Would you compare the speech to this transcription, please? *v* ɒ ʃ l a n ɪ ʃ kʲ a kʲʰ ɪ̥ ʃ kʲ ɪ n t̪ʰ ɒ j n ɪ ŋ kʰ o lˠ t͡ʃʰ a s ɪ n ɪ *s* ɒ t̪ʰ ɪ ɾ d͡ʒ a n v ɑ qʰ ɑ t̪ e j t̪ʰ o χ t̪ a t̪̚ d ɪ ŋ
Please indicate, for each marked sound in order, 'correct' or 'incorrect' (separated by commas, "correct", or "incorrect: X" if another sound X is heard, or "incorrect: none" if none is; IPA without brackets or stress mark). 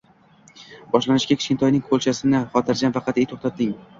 incorrect: b, incorrect: χ